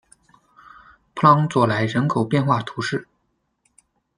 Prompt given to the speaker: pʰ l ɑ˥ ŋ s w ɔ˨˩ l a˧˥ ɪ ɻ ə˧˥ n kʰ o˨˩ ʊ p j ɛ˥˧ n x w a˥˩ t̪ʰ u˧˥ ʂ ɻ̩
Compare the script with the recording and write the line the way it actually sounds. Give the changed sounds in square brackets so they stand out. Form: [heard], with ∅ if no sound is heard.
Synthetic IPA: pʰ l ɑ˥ ŋ [t͡s] w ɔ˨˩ l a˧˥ ɪ ɻ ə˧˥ n kʰ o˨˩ ʊ p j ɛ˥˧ n x w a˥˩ t̪ʰ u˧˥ ʂ ɻ̩

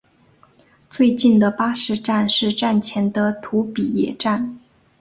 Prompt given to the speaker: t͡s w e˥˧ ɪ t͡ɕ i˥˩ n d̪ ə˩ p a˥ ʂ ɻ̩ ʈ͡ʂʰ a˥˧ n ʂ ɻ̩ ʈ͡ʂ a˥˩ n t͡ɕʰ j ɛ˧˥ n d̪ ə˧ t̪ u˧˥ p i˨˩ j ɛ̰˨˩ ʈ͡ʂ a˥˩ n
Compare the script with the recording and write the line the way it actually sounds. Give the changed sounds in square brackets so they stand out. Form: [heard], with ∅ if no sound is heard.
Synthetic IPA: t͡s w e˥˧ ɪ t͡ɕ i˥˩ n d̪ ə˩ p a˥ ʂ ɻ̩ [ʈ͡ʂ] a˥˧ n ʂ ɻ̩ ʈ͡ʂ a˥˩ n t͡ɕʰ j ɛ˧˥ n d̪ ə˧ [t̪ʰ] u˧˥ p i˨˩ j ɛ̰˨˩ ʈ͡ʂ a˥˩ n

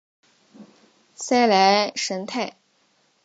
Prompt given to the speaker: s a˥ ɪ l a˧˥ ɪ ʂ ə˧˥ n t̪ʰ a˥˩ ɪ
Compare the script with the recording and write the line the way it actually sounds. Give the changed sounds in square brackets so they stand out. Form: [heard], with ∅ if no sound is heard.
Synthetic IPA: s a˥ ɪ l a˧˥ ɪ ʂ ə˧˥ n t̪ʰ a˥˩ ɪ

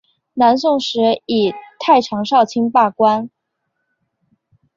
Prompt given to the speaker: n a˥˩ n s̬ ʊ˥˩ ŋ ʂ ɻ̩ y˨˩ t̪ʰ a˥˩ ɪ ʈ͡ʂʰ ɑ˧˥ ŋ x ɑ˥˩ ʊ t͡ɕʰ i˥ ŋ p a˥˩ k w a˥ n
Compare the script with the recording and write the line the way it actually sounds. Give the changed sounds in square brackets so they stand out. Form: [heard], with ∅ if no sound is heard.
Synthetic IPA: n [a˧˥] n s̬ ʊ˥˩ ŋ ʂ ɻ̩ [i˨˩] t̪ʰ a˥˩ ɪ ʈ͡ʂʰ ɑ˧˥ ŋ [ʂ] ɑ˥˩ ʊ t͡ɕʰ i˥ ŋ p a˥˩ k w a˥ n

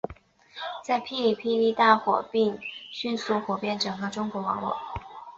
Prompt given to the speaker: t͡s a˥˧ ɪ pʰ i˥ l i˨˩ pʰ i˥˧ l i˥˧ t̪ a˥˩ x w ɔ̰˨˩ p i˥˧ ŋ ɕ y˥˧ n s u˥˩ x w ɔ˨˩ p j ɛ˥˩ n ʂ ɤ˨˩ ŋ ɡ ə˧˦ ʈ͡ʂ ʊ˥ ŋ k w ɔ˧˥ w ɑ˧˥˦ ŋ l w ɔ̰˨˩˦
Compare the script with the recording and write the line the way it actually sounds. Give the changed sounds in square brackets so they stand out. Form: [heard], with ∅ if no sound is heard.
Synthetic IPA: t͡s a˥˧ ɪ pʰ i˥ l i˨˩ pʰ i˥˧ l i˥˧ t̪ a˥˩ x w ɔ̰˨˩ p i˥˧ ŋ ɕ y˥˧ n s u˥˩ x w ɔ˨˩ p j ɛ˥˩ n [ʈ͡ʂ] ɤ˨˩ ŋ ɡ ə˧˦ ʈ͡ʂ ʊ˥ ŋ k w ɔ˧˥ w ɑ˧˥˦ ŋ l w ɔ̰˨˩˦

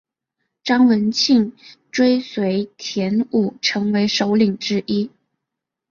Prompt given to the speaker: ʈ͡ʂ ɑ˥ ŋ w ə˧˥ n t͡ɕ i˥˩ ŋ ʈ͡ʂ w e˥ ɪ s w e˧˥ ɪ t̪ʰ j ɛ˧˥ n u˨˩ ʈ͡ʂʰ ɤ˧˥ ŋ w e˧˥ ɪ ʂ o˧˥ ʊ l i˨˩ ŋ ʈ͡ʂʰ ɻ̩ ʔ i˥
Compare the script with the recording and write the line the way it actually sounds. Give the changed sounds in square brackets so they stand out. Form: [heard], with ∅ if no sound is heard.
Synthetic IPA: ʈ͡ʂ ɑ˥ ŋ w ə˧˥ n [t͡ɕʰ] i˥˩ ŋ ʈ͡ʂ w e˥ ɪ s w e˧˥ ɪ t̪ʰ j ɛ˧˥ n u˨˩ ʈ͡ʂʰ ɤ˧˥ ŋ w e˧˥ ɪ ʂ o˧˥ ʊ l i˨˩ ŋ [ʈ͡ʂ] ɻ̩ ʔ i˥

